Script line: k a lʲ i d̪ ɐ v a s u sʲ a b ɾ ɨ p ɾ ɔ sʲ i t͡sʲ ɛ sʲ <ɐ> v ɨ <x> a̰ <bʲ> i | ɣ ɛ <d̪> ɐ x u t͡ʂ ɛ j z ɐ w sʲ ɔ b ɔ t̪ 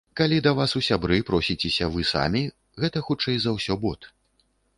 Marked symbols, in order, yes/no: yes, no, no, no

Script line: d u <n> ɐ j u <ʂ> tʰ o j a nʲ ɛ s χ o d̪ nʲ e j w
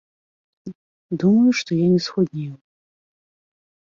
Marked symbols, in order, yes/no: no, yes

